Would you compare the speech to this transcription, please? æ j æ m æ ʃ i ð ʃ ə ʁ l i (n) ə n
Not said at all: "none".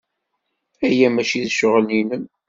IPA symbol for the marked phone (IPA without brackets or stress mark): n